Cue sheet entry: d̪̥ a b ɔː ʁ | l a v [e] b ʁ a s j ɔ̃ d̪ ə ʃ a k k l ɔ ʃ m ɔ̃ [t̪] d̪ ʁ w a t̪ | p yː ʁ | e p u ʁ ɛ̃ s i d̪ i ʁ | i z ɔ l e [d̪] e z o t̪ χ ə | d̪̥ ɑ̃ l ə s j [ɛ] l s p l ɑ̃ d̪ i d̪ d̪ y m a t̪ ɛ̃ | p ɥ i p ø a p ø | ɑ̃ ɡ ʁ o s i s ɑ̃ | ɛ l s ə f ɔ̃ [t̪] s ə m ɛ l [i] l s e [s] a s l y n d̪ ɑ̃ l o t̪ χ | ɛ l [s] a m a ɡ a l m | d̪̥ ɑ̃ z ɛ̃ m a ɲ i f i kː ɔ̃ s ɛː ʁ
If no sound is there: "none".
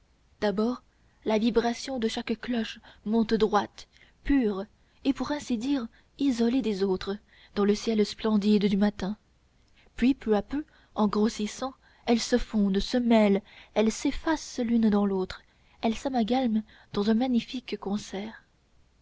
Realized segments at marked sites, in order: i, t̪, d̪, ɛ, d̪, ɛ, f, s

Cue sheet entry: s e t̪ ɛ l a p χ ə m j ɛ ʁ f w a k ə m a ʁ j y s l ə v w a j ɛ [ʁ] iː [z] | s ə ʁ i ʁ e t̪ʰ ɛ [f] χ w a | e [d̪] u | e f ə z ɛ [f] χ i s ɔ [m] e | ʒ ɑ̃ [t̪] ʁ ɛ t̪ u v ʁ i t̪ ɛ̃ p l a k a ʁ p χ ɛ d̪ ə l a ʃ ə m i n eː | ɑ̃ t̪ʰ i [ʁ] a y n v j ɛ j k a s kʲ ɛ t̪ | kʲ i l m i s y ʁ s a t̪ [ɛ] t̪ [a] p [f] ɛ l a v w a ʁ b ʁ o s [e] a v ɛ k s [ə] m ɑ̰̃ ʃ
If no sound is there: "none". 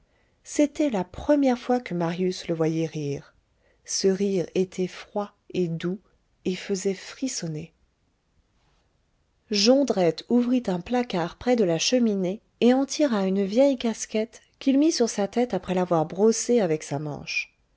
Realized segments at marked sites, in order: ʁ, ʁ, f, d̪, f, n, d̪, ʁ, ɛ, a, χ, e, a

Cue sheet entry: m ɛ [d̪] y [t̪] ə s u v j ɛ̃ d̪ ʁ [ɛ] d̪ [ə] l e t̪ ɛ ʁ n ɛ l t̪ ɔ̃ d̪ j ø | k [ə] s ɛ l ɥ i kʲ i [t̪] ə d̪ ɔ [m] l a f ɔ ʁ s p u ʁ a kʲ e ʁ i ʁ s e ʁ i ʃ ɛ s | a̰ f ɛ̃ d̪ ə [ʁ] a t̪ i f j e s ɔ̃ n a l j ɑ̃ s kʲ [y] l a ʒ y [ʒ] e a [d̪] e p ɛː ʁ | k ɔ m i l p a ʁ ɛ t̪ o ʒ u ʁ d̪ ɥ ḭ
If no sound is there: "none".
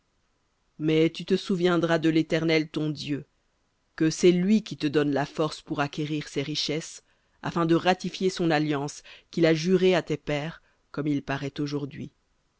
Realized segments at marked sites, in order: t̪, t̪, a, ə, ə, t̪, n, ʁ, i, ʁ, t̪

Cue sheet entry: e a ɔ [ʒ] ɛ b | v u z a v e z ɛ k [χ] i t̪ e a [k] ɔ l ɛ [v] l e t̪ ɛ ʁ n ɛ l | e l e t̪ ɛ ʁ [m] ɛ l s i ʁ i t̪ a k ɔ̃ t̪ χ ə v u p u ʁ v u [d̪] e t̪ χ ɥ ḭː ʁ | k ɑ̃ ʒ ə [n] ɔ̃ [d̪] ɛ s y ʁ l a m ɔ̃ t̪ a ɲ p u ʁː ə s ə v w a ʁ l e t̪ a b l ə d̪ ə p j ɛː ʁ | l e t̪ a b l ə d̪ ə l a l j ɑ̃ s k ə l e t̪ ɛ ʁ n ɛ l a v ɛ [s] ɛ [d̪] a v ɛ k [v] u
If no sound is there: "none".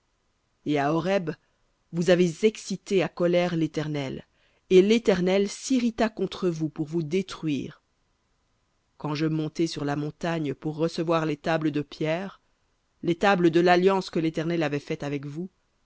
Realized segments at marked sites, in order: ʁ, s, k, ʁ, n, d̪, m, t̪, f, t̪, v

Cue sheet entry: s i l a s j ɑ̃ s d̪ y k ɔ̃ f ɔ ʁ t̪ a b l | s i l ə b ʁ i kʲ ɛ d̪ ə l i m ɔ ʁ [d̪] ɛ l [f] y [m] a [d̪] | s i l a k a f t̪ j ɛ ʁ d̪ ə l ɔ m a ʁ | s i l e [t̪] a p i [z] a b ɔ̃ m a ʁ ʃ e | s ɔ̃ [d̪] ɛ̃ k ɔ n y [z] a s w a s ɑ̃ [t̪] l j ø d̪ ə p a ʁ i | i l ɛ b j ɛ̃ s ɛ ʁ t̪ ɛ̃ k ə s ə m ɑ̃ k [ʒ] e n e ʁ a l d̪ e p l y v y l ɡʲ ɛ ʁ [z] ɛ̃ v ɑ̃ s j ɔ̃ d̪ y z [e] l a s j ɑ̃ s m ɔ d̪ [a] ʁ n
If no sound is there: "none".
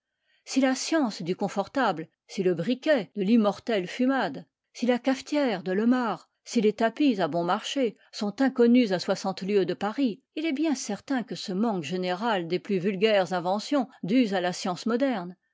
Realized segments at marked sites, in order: t̪, f, m, d̪, t̪, z, t̪, z, t̪, ʒ, z, a, ɛ

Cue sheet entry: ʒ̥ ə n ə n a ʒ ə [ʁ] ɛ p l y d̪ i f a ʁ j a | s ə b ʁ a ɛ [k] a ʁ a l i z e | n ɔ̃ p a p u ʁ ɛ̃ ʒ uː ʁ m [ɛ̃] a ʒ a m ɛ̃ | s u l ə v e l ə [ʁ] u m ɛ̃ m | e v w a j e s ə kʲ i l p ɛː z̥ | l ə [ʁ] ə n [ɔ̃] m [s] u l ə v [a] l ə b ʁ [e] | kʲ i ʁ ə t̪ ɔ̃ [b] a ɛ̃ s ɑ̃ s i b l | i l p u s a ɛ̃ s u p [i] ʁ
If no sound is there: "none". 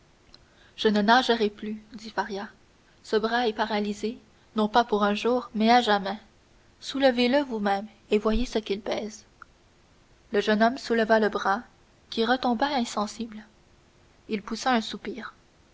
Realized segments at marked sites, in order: ʁ, p, ɛ, v, ʒ, ɔ, s, a, a, b, iː

